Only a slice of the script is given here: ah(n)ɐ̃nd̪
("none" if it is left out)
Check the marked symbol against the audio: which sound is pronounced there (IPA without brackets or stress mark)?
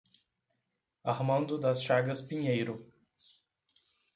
m